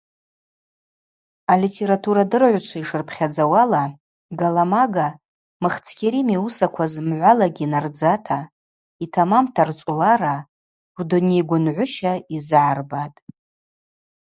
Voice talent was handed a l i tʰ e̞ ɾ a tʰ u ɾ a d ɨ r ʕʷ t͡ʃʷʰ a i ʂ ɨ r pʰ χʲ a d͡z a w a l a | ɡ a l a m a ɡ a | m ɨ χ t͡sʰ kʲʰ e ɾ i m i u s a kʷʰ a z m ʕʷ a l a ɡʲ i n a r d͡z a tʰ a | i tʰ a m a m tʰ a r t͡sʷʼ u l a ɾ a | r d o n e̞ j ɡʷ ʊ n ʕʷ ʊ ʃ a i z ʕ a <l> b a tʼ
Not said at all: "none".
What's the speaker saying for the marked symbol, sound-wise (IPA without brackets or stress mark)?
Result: r